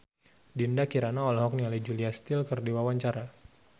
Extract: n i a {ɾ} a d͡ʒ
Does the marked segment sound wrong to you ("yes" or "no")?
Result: yes